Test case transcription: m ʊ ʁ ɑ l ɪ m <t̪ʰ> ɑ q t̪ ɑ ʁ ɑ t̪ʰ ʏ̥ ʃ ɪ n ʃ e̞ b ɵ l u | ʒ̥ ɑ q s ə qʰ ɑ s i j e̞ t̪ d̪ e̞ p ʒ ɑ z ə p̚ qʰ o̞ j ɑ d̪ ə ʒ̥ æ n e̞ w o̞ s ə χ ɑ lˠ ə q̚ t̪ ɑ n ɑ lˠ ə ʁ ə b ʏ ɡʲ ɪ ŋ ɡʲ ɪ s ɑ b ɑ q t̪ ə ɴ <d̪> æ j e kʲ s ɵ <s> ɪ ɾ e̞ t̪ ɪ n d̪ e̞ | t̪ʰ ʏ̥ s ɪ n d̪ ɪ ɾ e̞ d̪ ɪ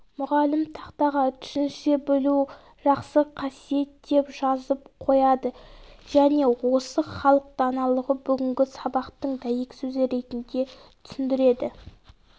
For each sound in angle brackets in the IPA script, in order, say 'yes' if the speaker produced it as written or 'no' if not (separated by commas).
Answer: yes, yes, no